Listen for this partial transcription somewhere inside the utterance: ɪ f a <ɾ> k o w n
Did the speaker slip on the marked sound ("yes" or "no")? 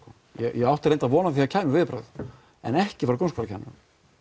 no